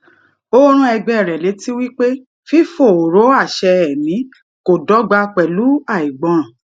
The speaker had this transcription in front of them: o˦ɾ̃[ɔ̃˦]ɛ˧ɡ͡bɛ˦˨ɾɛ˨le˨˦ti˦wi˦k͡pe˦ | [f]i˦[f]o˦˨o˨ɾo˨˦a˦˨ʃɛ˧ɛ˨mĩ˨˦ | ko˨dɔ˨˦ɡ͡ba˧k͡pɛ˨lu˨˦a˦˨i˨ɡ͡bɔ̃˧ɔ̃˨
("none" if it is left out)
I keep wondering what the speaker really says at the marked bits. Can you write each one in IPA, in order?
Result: ũ˦, f, f

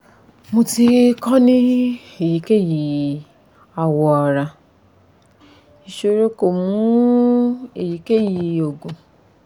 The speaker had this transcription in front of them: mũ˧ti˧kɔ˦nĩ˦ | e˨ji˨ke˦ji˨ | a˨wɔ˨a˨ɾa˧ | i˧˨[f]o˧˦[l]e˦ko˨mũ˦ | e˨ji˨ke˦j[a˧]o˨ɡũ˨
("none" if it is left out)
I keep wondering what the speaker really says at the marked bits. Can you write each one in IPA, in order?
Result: ʃ, ɾ, i˧

